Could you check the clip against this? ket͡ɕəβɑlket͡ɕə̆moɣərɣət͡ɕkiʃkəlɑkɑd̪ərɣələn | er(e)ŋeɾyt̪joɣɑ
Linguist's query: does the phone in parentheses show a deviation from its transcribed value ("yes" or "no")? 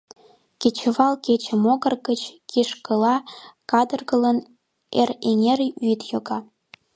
no